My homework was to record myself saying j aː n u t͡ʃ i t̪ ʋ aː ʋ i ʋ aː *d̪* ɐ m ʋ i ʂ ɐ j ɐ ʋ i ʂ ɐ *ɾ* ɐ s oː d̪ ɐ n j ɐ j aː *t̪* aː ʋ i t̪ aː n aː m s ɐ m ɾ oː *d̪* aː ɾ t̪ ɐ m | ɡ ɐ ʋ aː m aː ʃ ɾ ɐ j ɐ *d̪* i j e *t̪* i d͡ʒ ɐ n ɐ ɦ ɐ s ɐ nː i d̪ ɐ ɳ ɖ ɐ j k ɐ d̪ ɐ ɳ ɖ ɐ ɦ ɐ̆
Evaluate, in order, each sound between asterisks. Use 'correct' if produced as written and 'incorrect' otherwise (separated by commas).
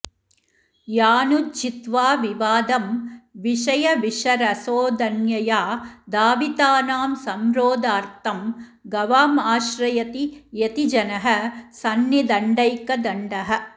correct, correct, incorrect, correct, incorrect, correct